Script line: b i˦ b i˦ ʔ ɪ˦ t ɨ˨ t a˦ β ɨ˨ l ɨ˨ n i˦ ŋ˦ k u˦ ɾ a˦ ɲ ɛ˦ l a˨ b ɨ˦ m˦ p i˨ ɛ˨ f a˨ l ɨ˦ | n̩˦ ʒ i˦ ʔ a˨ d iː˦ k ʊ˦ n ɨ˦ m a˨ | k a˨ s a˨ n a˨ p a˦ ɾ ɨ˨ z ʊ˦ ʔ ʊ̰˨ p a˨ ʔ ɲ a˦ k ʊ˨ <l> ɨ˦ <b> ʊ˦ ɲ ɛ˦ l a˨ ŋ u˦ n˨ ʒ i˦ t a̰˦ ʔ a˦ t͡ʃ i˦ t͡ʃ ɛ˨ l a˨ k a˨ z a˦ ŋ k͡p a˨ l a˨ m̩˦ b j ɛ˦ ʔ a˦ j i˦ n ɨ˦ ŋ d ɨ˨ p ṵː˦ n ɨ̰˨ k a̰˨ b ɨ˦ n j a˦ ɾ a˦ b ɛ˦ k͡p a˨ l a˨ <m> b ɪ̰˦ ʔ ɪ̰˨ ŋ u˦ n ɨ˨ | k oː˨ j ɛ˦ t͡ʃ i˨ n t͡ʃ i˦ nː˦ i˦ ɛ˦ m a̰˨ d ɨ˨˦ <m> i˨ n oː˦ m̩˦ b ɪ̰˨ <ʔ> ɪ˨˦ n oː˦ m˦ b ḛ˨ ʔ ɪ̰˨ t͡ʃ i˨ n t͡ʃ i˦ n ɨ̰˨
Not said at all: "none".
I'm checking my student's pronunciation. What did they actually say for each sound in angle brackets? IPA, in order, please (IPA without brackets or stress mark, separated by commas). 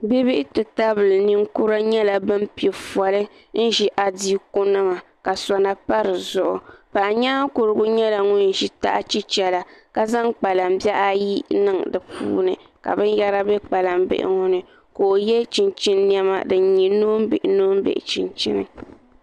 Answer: ɾ, ɡ, m, ɲ, ʔ